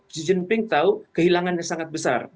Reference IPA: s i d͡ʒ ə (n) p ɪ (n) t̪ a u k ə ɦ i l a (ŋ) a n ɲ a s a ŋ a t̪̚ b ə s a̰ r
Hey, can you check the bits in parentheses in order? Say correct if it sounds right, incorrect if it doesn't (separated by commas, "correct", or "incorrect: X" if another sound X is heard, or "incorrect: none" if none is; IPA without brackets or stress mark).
correct, incorrect: ŋ, correct